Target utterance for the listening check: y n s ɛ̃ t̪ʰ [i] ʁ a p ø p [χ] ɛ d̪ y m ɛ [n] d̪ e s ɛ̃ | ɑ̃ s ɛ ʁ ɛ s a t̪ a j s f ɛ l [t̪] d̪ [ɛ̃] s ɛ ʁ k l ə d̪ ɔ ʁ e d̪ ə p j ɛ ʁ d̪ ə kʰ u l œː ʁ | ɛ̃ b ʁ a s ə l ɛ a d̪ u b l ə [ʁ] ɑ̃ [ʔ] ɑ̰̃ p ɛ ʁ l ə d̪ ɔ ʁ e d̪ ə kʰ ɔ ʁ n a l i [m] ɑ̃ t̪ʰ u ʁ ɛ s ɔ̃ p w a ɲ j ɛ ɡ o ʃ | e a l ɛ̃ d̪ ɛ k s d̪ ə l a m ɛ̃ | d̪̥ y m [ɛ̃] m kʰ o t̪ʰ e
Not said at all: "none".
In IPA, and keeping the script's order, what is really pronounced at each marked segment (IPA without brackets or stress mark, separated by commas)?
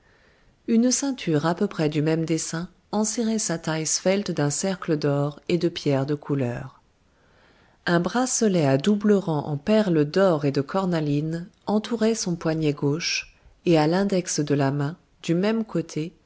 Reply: y, χ, m, t̪, ɛ̃, ʁ, ʔ, n, ɛ